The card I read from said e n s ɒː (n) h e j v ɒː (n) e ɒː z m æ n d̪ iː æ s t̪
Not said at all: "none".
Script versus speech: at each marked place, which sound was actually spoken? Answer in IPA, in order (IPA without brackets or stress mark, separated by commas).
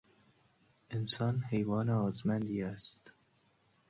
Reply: n, n